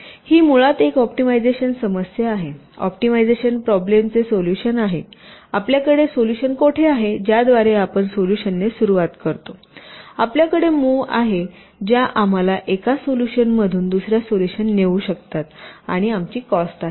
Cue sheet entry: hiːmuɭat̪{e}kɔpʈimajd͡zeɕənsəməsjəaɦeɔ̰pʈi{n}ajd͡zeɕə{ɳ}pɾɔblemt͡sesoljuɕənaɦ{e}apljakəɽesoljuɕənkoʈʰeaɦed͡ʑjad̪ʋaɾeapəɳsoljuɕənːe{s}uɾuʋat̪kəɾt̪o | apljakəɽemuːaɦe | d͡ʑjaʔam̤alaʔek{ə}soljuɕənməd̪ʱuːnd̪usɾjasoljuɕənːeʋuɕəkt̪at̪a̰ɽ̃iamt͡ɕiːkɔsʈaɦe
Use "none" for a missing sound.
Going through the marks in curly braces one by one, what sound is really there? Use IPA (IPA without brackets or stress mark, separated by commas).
e, m, n, e, s, a